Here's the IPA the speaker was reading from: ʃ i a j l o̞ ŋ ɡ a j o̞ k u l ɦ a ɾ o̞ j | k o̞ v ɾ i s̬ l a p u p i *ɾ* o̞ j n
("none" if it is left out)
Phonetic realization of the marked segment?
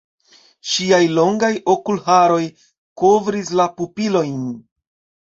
l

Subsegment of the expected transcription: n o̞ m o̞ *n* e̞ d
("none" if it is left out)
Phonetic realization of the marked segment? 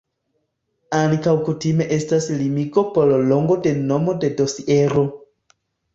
d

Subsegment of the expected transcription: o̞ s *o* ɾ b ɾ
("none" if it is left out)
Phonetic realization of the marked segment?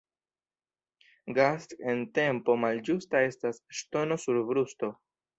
u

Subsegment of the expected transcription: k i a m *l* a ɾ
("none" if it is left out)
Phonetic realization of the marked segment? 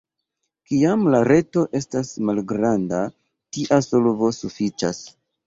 l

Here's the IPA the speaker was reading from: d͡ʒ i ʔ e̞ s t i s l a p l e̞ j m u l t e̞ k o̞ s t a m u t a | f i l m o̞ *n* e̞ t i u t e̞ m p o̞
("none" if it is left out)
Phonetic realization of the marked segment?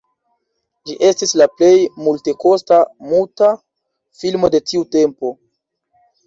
d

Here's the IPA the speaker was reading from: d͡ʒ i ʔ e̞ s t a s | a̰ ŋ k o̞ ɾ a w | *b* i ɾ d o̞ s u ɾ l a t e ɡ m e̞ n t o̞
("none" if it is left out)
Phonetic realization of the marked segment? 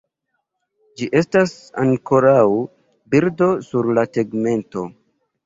b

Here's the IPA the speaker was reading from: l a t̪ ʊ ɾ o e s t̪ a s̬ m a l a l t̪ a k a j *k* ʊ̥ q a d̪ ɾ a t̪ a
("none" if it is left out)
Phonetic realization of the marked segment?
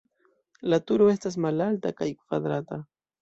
k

